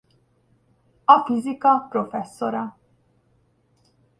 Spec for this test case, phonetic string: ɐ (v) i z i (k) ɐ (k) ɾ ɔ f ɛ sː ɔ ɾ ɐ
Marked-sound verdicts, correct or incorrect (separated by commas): incorrect, correct, incorrect